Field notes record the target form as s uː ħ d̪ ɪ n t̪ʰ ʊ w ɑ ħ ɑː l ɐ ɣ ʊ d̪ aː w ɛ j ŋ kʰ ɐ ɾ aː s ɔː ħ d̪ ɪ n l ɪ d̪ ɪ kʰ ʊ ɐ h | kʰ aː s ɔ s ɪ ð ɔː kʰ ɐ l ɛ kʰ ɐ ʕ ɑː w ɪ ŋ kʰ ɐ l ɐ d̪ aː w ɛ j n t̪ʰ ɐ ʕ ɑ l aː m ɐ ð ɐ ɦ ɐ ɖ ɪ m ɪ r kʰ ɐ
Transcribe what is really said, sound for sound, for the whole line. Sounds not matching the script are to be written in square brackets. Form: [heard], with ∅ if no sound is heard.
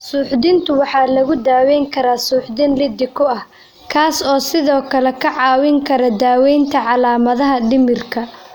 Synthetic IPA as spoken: s uː ħ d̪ ɪ n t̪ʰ ʊ w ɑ ħ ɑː l ɐ ɣ ʊ d̪ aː w ɛ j ŋ kʰ ɐ ɾ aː s [uː] ħ d̪ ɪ n l ɪ d̪ ɪ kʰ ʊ ɐ h | kʰ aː s [ɔː] s ɪ ð ɔː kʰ ɐ l ɛ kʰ ɐ ʕ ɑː w ɪ ŋ kʰ ɐ [ɾ] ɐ d̪ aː w ɛ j n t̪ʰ ɐ ʕ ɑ l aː m ɐ ð ɐ ɦ ɐ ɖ ɪ m ɪ r kʰ ɐ